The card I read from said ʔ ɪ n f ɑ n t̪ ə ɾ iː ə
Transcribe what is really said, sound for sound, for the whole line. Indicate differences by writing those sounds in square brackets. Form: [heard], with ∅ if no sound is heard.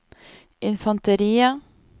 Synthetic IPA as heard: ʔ ɪ n f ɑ n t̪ ə ɾ iː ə

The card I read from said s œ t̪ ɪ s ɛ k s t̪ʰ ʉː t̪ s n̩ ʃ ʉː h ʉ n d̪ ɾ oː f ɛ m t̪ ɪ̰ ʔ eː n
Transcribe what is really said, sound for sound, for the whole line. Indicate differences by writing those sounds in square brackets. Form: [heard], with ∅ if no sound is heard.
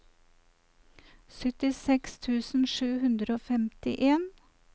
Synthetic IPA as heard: s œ t̪ ɪ s ɛ k s t̪ʰ ʉː [∅] s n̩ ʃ ʉː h ʉ n d̪ ɾ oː f ɛ m t̪ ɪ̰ ʔ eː n

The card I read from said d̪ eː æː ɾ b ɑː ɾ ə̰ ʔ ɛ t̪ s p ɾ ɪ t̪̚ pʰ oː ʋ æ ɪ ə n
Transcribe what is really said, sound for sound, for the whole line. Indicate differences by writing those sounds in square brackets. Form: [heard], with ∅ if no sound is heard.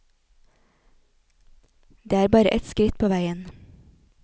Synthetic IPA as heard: d̪ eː æː ɾ b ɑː ɾ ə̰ ʔ ɛ t̪ s [k] ɾ ɪ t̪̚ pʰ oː ʋ æ ɪ ə n

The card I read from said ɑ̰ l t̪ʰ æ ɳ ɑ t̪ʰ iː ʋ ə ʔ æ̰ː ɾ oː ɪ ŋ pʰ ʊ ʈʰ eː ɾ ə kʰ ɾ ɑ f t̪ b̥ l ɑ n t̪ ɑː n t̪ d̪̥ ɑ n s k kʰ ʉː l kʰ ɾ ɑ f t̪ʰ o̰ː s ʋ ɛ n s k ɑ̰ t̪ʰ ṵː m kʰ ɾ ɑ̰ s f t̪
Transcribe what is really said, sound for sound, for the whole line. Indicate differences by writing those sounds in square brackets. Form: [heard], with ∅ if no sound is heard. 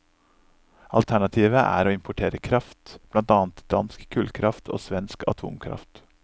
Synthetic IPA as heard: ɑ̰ l t̪ʰ æ ɳ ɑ t̪ʰ iː ʋ ə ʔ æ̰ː ɾ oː ɪ [m] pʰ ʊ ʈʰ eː ɾ ə kʰ ɾ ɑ f t̪ b̥ l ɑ n t̪ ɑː n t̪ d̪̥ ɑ n s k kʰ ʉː l kʰ ɾ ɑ f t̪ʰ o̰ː s ʋ ɛ n s k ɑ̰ t̪ʰ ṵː m kʰ ɾ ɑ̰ [∅] f t̪

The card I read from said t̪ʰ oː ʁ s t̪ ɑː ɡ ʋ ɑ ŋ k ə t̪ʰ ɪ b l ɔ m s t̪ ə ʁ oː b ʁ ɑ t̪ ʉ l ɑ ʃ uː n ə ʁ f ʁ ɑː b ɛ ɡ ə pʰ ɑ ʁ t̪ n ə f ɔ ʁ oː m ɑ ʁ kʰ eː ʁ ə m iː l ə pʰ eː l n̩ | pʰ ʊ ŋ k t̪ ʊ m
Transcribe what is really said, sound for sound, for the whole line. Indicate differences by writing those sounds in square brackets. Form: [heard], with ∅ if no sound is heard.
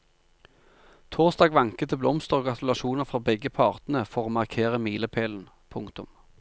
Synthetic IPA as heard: t̪ʰ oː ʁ s t̪ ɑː ɡ ʋ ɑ ŋ k ə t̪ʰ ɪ b l ɔ m s t̪ ə ʁ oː [ɡ] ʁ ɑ t̪ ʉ l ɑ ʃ uː n ə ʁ f ʁ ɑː b ɛ ɡ ə pʰ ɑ ʁ t̪ n ə f ɔ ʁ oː m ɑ ʁ kʰ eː ʁ ə m iː l ə pʰ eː l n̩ | pʰ ʊ ŋ k t̪ ʊ m

